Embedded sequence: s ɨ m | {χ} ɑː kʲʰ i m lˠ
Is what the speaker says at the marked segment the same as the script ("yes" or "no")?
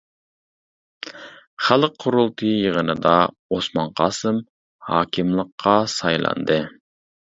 no